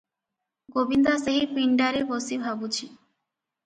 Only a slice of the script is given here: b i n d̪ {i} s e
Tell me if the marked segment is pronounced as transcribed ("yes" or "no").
no